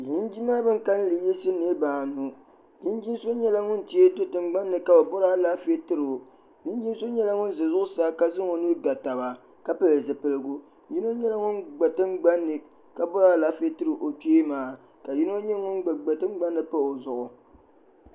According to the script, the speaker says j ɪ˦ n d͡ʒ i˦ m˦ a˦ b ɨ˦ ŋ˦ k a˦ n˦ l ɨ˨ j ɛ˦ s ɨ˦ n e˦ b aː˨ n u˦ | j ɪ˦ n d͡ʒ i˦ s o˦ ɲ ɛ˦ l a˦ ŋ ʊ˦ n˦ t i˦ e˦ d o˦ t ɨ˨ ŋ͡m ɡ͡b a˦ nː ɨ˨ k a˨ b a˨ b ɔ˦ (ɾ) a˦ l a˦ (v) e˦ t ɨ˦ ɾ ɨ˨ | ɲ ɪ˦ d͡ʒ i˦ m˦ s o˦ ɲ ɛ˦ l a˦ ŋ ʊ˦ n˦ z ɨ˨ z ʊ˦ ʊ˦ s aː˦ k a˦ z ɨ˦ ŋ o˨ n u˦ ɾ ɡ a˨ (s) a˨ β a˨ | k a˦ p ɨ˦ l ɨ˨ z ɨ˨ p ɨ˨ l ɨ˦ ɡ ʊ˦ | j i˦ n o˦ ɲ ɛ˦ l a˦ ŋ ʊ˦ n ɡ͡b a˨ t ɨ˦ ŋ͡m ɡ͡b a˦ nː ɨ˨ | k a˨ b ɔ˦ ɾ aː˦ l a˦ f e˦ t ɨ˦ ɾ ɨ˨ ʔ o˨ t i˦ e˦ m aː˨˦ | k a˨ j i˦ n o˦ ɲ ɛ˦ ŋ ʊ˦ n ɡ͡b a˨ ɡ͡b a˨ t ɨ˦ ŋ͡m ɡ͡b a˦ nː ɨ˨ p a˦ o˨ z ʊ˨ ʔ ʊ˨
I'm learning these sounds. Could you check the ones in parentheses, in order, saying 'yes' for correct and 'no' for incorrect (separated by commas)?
yes, no, no